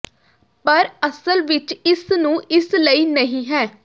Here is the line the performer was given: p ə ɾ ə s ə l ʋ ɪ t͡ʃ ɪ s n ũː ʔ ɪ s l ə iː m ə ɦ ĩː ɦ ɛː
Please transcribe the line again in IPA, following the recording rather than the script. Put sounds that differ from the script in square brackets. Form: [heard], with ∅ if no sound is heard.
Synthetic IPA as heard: p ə ɾ ə s ə l ʋ ɪ t͡ʃ ɪ s n ũː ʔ ɪ s l ə iː [n] ə ɦ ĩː ɦ ɛː